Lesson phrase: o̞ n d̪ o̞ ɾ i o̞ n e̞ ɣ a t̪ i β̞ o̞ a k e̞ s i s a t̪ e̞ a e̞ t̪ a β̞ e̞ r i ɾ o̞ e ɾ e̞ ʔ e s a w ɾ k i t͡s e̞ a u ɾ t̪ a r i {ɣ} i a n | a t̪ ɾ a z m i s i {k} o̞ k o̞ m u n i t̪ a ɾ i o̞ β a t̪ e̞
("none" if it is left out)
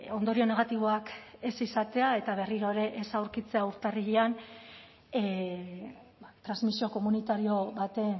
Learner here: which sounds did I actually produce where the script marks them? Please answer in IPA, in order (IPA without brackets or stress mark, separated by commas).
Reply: ɣ, none